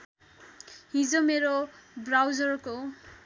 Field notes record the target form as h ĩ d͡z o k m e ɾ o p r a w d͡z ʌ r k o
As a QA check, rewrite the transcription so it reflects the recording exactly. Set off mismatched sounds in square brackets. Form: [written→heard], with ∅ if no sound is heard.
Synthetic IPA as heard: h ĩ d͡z o [k→∅] m e ɾ o [p→b] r a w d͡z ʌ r k o